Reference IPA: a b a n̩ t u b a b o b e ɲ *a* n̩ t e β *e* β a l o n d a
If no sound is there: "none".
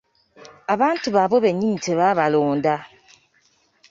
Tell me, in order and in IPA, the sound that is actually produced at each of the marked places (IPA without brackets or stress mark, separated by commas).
i, a